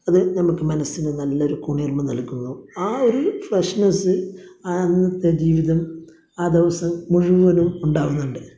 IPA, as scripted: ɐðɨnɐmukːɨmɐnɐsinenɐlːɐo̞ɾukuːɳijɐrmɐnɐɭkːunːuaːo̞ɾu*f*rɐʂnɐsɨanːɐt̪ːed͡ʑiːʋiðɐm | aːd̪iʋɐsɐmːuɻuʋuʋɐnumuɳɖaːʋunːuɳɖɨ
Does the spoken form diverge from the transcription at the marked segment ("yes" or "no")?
no